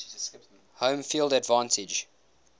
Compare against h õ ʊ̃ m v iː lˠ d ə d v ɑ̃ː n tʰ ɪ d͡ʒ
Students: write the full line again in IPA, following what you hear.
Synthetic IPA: h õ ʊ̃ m f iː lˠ d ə d v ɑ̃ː n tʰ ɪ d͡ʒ